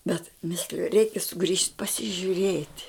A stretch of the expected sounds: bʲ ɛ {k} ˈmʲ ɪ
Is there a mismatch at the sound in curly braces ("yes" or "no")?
yes